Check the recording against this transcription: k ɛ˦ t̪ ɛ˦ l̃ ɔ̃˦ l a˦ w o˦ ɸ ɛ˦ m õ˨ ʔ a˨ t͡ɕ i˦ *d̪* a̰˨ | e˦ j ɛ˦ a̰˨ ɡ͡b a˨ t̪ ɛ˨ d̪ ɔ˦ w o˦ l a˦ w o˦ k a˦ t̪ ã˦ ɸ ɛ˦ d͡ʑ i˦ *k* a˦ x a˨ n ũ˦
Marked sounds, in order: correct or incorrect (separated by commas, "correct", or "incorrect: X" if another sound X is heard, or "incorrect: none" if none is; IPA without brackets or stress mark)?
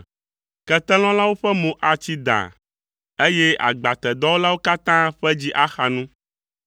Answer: correct, incorrect: ʔ